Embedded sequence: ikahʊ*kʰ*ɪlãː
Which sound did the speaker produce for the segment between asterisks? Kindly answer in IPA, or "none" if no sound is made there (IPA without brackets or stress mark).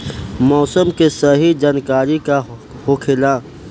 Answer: kʰ